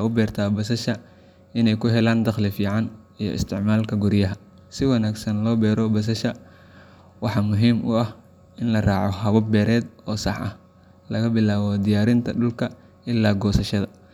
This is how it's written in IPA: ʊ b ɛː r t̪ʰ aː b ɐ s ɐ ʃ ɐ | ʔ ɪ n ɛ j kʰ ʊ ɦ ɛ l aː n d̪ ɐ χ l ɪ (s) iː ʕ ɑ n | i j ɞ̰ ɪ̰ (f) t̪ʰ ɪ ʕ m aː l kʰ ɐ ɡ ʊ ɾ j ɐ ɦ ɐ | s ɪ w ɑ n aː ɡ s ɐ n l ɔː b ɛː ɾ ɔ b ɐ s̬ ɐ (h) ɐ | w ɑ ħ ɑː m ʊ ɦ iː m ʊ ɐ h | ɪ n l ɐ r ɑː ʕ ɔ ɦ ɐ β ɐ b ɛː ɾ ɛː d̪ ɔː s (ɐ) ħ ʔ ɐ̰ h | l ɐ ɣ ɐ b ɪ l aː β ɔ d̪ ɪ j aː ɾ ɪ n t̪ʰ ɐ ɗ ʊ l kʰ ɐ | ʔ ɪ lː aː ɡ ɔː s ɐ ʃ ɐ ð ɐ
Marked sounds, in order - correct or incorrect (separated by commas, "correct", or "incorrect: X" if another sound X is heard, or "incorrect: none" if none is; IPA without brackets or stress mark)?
incorrect: f, incorrect: s, incorrect: ʃ, incorrect: ɑ